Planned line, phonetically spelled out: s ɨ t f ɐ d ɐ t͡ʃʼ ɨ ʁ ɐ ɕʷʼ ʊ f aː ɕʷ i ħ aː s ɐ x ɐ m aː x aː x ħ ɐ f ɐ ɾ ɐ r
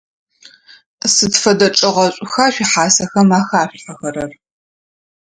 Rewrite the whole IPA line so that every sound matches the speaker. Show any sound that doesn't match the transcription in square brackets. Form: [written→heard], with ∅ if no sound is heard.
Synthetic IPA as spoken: s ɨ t f ɐ d ɐ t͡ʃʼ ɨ ʁ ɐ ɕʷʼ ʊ [f→x] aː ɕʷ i ħ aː s ɐ x ɐ m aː x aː [x→ɕ] ħ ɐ [f→x] ɐ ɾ ɐ r